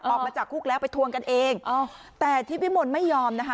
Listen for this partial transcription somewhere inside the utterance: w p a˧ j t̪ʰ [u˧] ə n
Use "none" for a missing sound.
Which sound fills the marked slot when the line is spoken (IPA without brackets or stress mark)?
u˧